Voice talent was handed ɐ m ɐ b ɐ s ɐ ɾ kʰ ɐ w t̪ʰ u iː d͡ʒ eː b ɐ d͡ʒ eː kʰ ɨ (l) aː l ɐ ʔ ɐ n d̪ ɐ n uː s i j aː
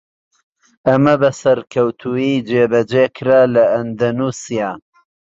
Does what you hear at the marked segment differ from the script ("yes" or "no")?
yes